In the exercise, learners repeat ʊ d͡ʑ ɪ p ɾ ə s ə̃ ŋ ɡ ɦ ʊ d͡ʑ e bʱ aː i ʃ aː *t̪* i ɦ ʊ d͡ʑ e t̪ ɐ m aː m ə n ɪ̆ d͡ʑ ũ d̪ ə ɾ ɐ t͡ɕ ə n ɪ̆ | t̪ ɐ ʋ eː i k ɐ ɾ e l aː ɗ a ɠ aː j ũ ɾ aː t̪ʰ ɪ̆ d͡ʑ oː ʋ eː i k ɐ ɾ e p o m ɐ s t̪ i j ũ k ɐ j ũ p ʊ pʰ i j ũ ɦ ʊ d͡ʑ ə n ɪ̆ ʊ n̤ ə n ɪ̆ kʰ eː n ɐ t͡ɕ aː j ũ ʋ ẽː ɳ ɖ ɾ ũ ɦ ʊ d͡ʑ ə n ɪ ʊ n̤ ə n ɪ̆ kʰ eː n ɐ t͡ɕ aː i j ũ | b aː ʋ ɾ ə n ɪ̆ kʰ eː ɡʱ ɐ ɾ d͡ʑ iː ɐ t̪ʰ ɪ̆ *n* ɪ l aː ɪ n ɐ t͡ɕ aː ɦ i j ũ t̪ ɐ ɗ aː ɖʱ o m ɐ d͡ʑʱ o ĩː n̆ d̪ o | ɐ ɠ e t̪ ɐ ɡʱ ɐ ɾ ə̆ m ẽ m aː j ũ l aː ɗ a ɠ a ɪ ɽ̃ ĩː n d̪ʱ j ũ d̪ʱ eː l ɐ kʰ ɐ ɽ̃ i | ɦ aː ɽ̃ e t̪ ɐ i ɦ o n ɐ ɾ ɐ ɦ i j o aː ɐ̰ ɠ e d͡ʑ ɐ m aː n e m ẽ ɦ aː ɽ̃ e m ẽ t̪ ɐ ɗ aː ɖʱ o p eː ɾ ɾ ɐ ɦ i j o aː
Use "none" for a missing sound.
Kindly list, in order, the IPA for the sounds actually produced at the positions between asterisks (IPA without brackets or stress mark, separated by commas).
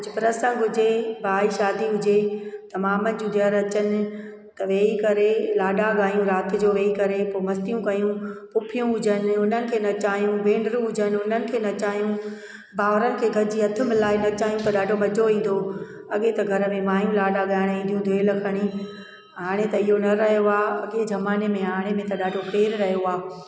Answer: d̪, m